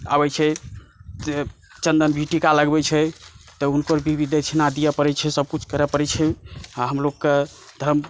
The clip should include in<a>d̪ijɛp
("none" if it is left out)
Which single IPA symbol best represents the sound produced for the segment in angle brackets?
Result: a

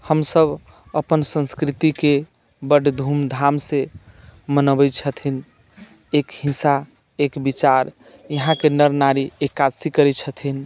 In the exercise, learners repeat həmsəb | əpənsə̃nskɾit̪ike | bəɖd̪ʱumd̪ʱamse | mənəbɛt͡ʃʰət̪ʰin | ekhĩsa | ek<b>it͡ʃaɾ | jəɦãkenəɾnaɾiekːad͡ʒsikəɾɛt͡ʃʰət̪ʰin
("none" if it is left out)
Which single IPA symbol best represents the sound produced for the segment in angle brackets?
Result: b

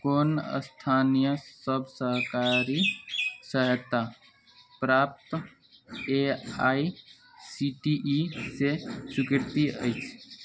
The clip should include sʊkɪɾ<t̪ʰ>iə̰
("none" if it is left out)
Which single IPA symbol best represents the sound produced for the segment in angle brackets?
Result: t̪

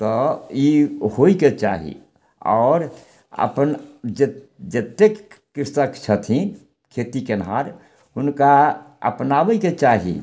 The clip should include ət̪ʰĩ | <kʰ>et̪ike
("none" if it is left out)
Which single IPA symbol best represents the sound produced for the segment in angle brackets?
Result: kʰ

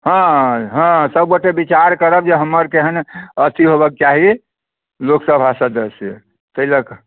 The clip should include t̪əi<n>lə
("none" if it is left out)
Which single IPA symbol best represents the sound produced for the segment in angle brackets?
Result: none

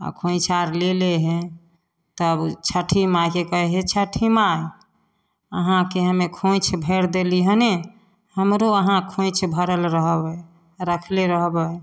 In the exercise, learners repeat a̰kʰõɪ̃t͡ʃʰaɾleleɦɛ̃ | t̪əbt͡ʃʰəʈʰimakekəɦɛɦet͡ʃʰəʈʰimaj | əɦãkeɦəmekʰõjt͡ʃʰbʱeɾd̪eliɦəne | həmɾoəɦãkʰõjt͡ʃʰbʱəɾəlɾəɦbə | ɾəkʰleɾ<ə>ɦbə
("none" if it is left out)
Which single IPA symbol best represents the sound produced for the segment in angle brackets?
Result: ə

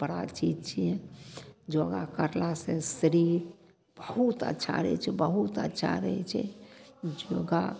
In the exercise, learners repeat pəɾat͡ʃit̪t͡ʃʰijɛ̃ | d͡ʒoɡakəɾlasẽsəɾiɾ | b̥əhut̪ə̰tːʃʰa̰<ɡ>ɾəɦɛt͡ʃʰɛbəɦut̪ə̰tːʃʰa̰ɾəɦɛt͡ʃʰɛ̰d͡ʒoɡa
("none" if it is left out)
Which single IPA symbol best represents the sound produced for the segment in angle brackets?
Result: none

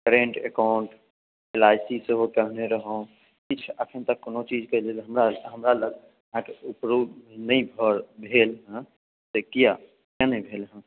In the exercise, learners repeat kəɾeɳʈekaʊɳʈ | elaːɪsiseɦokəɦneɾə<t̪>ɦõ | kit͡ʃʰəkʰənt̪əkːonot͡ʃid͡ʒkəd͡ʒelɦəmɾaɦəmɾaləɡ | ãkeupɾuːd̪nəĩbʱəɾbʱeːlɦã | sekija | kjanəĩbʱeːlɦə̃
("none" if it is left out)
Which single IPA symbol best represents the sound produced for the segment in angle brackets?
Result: none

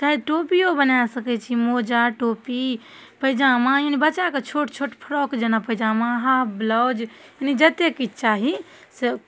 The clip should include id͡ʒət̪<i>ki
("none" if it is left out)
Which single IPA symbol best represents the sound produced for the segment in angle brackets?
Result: e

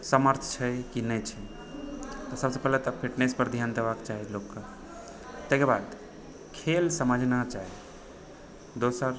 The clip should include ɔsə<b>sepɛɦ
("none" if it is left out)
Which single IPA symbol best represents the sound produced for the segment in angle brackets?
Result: b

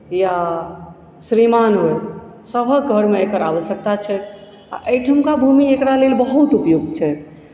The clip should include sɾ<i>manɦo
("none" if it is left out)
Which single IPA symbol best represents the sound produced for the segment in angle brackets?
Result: i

